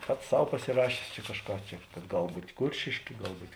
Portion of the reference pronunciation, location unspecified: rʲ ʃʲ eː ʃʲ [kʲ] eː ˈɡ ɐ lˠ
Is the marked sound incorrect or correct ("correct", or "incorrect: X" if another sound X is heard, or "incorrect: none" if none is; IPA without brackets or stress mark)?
correct